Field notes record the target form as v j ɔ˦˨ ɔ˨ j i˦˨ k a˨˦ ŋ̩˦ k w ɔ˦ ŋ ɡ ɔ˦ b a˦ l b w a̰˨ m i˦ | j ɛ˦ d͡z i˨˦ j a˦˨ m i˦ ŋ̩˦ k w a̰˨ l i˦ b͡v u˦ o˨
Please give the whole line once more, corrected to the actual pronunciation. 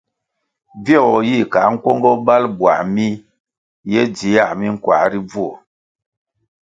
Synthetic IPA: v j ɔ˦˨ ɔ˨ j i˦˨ k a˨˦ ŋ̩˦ k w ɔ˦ ŋ ɡ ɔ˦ b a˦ l b w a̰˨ m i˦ | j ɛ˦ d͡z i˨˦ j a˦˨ m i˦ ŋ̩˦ k w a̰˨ ɾ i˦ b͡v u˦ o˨